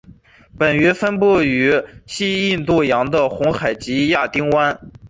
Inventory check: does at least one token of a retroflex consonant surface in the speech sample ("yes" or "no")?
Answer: no